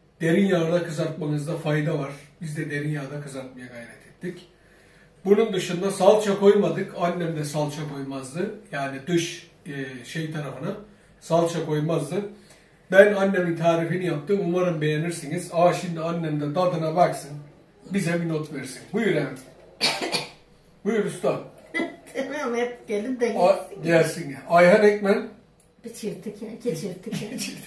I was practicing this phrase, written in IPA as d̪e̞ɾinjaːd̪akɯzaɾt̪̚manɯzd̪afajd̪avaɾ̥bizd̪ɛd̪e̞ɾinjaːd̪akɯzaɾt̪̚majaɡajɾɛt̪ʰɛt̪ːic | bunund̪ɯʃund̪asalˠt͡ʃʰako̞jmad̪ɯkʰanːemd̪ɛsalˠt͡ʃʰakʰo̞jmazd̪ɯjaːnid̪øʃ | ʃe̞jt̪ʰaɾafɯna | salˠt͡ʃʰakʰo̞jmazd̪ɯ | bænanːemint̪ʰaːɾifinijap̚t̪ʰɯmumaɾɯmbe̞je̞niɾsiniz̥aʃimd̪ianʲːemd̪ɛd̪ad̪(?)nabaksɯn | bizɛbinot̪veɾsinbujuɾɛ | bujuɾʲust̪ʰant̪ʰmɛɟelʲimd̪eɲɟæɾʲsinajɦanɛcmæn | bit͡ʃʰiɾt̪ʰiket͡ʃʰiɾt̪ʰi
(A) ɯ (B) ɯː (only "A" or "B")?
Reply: A